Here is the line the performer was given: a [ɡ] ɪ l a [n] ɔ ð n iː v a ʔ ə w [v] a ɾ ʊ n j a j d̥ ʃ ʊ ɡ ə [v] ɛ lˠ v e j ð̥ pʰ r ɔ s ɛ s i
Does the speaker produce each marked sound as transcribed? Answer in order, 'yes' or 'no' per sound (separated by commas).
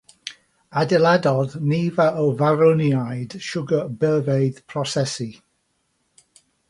no, no, yes, no